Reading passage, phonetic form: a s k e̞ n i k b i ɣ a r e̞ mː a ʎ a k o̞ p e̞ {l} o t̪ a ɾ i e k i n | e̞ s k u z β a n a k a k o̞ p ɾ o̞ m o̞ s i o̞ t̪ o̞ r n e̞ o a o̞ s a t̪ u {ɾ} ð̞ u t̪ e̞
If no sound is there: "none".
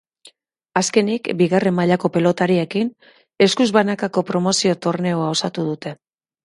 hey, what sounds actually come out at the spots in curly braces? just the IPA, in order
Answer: l, none

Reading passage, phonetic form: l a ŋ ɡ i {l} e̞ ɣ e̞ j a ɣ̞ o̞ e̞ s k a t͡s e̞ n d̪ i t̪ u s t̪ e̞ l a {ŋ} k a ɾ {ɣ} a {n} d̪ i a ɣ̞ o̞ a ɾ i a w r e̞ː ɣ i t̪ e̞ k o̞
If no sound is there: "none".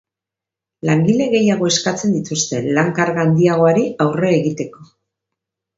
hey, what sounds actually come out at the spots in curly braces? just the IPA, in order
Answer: l, ŋ, ɣ, n

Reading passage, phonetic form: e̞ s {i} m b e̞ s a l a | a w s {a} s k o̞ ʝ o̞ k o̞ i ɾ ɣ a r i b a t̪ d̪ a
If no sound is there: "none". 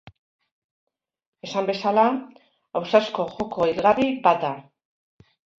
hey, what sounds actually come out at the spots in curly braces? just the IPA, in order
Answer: a, a

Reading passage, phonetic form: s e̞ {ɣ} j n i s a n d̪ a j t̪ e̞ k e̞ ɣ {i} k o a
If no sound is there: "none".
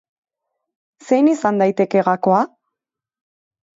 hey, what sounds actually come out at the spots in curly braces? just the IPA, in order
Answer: none, a

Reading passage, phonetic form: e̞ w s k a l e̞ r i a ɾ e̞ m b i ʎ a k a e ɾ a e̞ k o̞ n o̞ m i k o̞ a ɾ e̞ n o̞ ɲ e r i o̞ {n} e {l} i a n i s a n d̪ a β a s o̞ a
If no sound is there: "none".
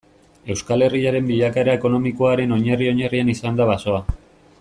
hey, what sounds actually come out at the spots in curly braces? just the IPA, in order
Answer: ɲ, r

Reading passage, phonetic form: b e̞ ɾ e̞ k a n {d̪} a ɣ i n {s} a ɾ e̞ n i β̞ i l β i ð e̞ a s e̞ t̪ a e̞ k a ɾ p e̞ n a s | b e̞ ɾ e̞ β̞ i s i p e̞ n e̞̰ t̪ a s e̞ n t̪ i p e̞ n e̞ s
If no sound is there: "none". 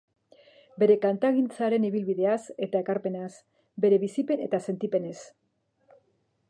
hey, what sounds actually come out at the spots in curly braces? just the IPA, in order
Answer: t̪, t͡s

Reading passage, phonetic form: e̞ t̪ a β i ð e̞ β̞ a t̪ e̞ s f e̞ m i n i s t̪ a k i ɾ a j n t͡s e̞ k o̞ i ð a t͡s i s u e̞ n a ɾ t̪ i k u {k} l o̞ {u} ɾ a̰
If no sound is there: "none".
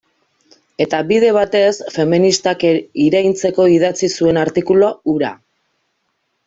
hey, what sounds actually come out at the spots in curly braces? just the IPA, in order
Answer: none, u

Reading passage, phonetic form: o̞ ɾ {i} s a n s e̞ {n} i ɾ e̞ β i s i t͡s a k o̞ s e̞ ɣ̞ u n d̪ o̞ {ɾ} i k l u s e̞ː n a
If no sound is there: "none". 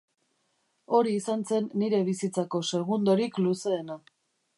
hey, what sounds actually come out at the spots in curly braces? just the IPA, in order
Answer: iː, nː, ɾ

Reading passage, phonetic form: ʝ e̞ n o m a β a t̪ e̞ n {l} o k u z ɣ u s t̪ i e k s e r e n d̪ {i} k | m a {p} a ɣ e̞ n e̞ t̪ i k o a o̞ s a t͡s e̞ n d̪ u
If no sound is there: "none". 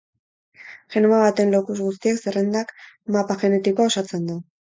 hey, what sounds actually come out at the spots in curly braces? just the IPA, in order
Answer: l, a, p

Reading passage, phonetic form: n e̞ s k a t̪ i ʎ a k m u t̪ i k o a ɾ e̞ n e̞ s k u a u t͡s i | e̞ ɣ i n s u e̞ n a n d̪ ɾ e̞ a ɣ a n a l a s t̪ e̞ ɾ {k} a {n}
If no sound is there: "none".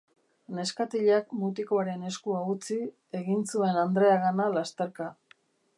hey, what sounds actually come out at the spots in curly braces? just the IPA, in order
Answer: k, none

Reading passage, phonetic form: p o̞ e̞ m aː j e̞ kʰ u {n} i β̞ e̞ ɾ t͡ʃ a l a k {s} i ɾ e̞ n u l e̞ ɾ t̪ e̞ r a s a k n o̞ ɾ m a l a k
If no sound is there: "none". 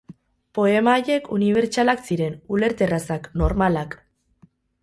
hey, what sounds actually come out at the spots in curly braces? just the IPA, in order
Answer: n, s

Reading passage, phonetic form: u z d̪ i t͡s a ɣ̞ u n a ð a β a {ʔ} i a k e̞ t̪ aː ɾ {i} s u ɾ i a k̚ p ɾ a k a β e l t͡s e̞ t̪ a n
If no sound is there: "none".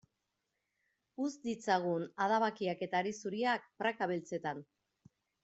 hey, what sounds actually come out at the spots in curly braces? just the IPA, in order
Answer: k, i

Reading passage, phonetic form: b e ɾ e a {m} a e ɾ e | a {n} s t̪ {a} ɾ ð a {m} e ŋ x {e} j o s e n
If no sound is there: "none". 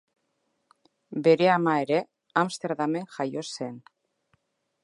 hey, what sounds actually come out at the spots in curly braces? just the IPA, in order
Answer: m, m, e, m, a

